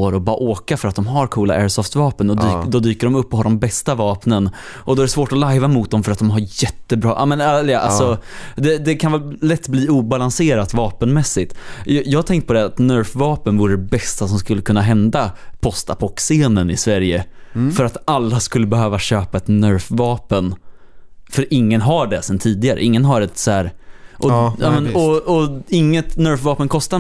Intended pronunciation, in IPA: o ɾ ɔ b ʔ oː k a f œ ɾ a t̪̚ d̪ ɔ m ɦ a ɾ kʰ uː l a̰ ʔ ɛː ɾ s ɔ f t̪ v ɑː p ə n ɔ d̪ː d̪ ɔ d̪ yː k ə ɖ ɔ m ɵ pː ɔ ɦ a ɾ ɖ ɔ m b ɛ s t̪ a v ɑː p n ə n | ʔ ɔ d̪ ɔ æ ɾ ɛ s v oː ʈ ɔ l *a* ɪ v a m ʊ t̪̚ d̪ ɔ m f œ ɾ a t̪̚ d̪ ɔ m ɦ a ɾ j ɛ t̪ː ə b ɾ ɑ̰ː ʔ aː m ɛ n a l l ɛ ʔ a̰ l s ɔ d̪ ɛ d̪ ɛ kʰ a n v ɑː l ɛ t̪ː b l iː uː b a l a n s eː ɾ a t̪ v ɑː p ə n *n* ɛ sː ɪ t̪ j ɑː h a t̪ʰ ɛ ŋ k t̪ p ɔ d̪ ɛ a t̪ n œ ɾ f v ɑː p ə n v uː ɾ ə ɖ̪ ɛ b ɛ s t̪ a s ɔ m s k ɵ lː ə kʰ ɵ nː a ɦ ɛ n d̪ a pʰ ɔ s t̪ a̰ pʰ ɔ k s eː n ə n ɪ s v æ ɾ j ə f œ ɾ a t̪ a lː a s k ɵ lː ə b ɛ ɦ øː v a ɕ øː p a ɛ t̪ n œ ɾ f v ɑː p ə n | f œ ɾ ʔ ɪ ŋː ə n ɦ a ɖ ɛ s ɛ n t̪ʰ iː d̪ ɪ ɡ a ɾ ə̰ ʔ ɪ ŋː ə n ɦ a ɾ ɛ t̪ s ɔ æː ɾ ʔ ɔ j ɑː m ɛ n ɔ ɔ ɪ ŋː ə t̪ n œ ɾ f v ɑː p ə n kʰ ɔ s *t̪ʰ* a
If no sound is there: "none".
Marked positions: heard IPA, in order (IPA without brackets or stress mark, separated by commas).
a, m, t̪